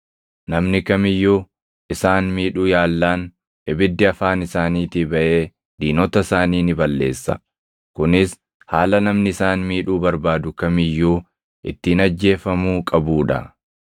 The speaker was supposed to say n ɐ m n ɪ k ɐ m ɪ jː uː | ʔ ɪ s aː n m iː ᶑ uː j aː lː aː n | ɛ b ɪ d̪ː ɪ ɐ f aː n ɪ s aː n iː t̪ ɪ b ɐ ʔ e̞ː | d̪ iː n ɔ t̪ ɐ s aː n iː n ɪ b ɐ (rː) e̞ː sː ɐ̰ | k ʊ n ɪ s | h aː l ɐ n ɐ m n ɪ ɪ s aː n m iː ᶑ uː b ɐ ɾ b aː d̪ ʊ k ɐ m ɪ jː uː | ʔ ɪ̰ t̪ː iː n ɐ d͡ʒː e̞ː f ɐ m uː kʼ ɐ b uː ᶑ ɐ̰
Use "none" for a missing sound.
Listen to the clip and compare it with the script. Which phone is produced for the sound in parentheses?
lː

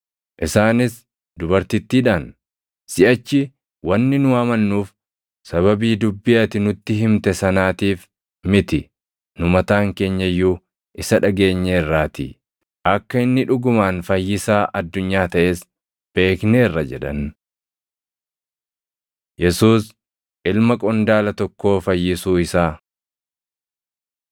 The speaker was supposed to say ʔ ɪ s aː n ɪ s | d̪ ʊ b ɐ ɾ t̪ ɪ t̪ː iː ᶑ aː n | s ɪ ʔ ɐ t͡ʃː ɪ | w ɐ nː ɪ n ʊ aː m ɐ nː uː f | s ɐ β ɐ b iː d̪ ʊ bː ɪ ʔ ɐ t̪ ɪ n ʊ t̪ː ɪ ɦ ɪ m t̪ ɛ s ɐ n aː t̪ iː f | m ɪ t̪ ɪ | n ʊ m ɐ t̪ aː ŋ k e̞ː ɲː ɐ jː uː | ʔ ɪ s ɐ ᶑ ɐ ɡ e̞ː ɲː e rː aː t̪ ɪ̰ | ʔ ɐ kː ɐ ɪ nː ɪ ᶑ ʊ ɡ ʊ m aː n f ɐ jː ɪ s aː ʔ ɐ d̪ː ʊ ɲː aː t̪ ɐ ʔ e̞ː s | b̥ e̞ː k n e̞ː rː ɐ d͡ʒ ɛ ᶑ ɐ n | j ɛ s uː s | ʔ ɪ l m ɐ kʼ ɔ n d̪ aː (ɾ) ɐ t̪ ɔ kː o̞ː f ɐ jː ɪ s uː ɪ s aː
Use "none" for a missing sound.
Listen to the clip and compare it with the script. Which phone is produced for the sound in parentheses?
l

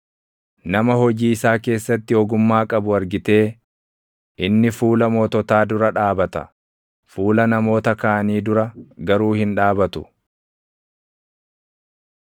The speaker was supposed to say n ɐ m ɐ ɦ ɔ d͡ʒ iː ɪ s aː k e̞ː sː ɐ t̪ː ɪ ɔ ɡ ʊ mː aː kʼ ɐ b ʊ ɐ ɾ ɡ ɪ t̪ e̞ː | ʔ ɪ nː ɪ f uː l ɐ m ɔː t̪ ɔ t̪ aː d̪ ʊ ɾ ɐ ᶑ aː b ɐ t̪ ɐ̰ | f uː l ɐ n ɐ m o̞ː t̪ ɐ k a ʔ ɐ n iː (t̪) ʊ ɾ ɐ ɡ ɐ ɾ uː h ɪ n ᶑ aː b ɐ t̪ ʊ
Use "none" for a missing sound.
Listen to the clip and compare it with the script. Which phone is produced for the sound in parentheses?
d̪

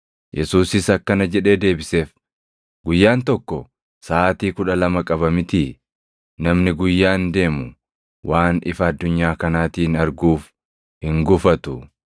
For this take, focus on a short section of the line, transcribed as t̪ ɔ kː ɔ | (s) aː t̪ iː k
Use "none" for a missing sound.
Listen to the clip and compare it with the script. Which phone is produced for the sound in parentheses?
s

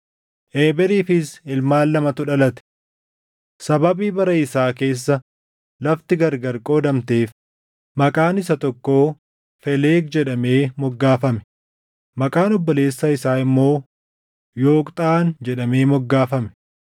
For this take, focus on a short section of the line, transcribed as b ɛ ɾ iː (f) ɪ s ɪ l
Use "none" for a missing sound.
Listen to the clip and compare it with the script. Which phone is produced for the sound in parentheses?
f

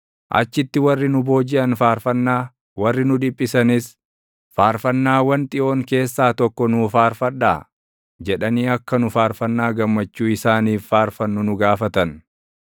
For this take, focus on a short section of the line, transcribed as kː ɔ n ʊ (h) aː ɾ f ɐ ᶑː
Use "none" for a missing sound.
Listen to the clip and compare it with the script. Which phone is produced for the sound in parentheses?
f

